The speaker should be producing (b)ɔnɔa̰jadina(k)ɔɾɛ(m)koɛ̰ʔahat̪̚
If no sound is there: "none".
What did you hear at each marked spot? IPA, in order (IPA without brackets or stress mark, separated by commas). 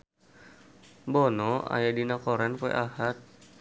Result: b, k, n